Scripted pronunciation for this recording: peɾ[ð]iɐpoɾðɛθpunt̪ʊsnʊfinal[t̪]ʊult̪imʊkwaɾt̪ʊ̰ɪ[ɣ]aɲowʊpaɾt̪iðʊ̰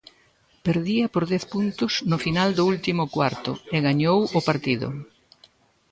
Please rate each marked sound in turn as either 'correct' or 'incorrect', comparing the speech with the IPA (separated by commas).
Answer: correct, incorrect, correct